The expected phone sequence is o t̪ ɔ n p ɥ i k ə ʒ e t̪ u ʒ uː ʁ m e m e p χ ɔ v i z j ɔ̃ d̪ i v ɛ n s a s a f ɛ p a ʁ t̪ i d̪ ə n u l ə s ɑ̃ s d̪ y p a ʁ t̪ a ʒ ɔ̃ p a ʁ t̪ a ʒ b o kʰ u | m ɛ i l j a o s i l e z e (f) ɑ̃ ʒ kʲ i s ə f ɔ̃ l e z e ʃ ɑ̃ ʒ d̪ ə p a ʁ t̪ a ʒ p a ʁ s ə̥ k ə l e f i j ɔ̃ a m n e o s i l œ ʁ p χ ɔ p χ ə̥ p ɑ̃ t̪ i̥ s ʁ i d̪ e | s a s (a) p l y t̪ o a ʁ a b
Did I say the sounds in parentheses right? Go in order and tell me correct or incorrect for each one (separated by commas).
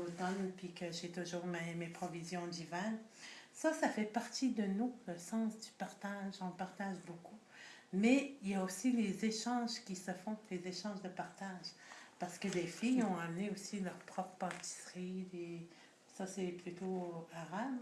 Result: incorrect, incorrect